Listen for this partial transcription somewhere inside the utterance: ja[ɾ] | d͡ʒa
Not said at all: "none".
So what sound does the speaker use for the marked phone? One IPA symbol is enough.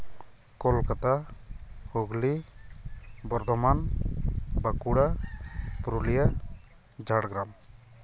none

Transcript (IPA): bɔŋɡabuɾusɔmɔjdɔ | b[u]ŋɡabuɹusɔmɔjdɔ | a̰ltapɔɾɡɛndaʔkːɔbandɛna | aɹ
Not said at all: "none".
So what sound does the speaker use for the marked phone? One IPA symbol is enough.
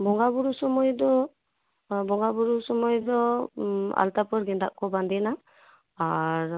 ɔ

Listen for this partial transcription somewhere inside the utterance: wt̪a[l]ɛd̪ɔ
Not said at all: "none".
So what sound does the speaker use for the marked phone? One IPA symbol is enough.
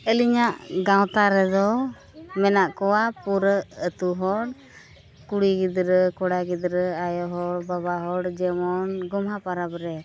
ɾ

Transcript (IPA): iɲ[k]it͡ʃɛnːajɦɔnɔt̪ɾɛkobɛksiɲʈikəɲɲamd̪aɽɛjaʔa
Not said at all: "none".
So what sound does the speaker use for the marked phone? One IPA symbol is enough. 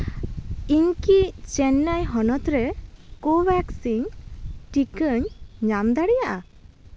k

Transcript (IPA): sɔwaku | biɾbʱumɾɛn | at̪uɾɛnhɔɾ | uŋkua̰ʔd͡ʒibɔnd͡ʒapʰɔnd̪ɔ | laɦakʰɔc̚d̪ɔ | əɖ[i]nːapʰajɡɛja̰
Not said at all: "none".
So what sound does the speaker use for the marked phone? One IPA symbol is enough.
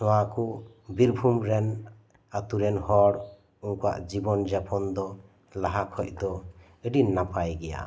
i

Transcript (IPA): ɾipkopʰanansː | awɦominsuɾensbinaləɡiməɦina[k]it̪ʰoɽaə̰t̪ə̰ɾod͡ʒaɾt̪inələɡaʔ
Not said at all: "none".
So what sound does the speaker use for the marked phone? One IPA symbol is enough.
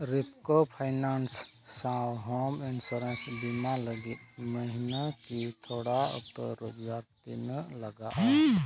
k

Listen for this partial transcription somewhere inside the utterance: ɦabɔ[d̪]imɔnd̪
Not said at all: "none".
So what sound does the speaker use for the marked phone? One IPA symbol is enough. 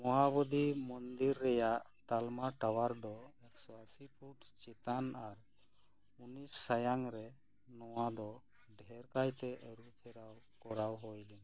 d̪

